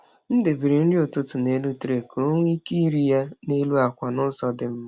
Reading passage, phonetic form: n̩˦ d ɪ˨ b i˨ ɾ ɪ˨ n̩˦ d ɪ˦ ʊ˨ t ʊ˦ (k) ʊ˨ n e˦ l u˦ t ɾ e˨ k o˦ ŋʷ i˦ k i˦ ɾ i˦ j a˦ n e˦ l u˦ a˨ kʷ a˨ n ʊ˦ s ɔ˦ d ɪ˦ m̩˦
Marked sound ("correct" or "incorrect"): incorrect